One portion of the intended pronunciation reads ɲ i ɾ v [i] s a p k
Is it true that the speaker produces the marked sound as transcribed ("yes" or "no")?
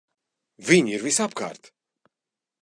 yes